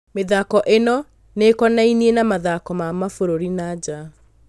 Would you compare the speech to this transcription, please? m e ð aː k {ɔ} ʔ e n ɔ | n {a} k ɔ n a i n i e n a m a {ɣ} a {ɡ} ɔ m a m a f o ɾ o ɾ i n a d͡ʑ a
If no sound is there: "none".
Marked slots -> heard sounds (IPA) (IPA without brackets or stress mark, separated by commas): ɔ, e, ð, k